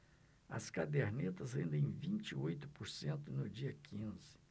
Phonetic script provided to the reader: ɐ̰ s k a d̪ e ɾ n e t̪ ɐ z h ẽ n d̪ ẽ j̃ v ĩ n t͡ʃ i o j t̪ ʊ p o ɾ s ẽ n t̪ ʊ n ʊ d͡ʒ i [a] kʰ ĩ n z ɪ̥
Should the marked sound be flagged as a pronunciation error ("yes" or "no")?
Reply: yes